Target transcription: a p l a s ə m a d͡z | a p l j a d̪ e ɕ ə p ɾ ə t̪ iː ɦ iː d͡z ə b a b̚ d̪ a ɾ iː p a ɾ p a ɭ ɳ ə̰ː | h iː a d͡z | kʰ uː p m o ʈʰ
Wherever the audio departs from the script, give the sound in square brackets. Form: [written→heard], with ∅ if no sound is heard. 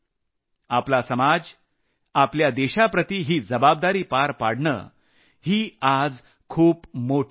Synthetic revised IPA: a p l a s ə m a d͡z | a p l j a d̪ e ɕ [ə→a] p ɾ ə t̪ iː ɦ iː d͡z ə b a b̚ d̪ a ɾ iː p a ɾ p a [ɭ→ɽ] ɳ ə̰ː | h iː a d͡z | kʰ uː p m o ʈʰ